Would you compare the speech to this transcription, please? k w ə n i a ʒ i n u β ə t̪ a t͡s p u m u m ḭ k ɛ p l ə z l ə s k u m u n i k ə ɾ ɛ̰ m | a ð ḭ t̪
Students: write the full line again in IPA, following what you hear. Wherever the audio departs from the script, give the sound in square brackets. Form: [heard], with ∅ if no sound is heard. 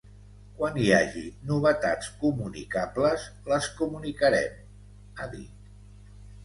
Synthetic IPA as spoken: k w [a] n i a ʒ i n u β ə t̪ a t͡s [k] u m u [n] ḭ k [a] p l ə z l ə s k u m u n i k ə ɾ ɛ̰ m | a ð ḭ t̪